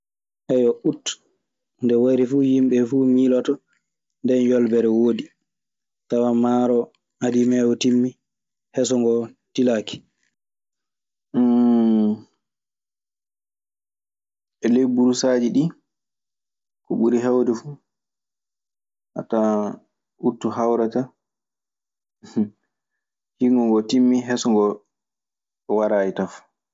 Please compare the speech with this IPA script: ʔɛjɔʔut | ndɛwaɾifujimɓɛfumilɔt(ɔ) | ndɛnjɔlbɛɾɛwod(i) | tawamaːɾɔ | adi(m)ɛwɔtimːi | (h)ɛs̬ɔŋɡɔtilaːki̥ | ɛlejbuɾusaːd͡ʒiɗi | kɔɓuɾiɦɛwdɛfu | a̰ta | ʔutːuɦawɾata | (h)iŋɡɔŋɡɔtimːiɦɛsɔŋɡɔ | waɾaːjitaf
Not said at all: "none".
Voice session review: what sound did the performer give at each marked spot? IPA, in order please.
ɔ, i, m, h, h

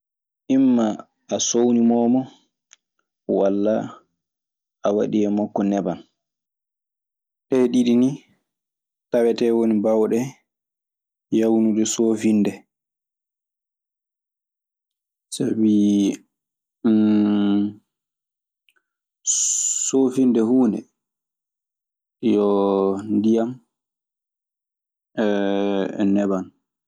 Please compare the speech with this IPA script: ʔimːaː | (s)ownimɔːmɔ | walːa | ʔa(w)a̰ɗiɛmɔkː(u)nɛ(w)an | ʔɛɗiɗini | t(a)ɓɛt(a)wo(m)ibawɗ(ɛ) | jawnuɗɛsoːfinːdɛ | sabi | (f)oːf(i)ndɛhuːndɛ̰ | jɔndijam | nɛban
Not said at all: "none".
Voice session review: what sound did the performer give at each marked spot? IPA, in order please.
s, w, ɔ, b, a, ɛ, n, ɛ, s, i

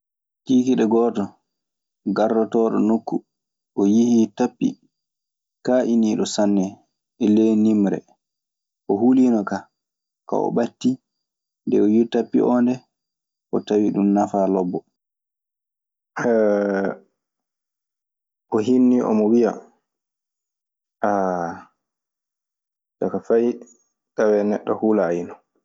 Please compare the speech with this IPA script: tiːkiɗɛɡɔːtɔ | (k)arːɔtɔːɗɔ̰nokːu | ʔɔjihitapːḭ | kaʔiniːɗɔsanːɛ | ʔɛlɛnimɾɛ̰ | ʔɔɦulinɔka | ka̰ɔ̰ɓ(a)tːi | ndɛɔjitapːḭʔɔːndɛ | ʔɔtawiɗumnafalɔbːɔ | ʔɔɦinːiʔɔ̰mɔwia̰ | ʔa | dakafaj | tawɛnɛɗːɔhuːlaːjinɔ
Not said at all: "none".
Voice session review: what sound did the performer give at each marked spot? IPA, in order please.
ɡ, a

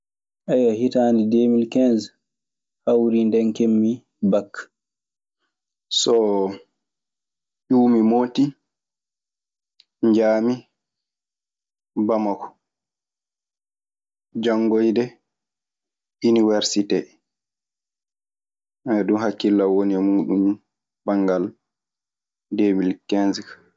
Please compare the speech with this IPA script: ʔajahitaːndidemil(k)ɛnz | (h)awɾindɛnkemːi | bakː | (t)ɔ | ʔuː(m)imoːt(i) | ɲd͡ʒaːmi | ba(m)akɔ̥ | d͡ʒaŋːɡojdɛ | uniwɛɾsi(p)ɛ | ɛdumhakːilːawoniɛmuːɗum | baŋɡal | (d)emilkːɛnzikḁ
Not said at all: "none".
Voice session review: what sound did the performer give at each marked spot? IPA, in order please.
k, h, s, m, i, m, t, d

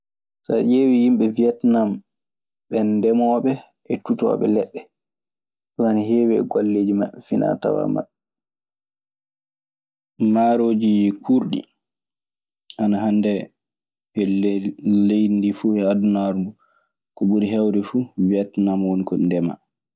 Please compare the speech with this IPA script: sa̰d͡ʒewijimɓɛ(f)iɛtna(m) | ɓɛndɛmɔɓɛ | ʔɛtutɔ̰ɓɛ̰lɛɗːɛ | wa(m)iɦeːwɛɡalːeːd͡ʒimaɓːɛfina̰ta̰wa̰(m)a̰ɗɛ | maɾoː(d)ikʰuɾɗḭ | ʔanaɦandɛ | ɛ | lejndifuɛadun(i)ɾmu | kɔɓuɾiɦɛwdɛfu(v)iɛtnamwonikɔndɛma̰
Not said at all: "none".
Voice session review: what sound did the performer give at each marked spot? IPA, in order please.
v, m, n, m, d͡ʒ, a, v

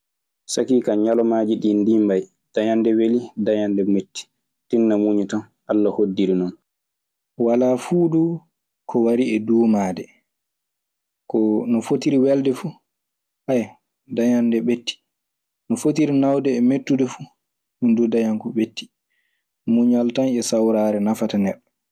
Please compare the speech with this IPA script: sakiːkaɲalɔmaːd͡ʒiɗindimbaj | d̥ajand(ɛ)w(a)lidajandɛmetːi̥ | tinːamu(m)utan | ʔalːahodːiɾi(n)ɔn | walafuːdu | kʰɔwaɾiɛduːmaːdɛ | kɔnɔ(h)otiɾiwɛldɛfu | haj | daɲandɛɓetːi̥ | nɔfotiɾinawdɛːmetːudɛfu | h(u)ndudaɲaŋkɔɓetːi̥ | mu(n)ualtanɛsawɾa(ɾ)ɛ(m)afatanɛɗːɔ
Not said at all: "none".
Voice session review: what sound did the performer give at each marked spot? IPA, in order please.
ɛ, e, ɲ, n, f, u, ɲ, ɾ, n

